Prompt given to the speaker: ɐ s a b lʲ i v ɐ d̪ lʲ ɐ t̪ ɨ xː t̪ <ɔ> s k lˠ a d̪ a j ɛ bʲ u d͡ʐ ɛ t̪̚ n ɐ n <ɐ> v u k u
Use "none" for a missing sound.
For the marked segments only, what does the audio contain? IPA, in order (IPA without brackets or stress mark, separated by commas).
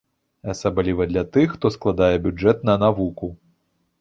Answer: ɔ, a